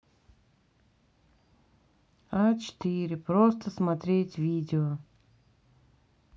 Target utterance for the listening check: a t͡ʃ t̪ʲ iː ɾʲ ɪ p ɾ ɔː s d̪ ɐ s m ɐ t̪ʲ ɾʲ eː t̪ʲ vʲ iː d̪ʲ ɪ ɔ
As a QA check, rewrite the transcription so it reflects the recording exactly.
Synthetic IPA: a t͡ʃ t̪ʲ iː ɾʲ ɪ p ɾ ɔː s t̪ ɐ s m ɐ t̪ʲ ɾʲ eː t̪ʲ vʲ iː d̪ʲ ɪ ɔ